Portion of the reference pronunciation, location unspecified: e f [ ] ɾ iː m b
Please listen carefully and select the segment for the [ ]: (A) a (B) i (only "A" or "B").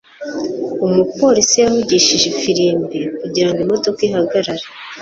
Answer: B